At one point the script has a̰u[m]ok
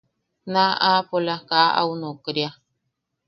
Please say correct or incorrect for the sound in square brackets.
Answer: incorrect